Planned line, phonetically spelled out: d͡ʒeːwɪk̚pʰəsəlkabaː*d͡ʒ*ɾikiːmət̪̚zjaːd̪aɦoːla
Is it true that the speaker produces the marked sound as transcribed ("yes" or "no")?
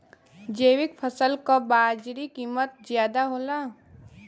yes